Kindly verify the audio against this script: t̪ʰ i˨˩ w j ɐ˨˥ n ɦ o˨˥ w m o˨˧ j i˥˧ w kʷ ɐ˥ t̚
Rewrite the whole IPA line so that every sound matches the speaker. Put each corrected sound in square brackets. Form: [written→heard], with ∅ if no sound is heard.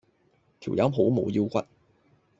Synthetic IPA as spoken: t̪ʰ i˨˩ w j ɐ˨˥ [n→m] ɦ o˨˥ w m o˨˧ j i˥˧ w kʷ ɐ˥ t̚